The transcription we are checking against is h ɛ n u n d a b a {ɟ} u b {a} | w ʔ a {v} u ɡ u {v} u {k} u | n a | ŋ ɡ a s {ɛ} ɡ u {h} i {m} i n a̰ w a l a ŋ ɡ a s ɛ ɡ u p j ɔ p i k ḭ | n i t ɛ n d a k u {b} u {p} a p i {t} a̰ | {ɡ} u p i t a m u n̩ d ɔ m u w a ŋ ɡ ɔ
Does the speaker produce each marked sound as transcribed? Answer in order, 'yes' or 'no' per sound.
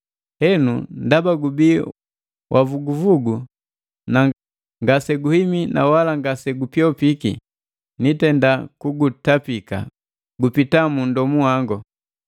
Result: no, no, yes, yes, no, yes, yes, yes, no, no, no, yes

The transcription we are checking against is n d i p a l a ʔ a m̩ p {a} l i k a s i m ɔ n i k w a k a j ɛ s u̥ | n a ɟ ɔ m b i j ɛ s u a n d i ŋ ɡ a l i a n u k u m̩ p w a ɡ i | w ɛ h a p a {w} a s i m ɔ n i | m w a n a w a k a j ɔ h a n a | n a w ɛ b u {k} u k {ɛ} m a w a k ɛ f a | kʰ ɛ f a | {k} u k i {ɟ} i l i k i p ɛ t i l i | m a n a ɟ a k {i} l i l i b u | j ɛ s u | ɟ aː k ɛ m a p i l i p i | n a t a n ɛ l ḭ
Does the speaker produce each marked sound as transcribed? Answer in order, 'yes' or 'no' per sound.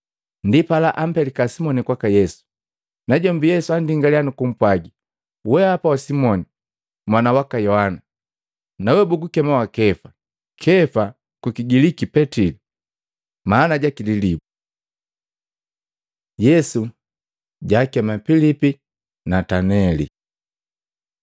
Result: no, yes, no, yes, yes, no, yes

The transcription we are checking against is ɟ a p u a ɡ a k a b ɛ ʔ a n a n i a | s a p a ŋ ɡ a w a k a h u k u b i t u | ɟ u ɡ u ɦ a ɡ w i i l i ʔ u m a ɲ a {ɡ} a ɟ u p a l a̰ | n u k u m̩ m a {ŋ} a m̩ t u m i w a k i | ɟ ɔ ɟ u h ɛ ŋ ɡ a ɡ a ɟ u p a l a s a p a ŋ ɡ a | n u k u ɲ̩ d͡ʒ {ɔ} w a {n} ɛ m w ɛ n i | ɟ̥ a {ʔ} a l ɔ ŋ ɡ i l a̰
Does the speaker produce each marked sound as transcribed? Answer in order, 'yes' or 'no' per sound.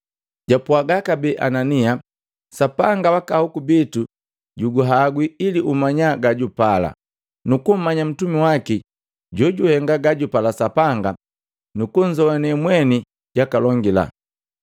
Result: yes, no, yes, yes, no

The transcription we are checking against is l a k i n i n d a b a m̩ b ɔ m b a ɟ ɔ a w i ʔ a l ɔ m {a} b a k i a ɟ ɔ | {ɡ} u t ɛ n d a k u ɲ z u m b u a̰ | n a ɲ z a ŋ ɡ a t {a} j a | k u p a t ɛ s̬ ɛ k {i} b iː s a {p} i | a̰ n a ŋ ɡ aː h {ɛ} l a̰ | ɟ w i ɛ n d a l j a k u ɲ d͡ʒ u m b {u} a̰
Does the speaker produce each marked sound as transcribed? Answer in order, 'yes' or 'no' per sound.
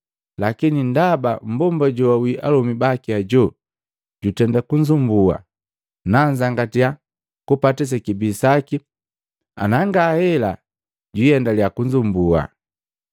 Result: no, no, no, yes, no, yes, yes

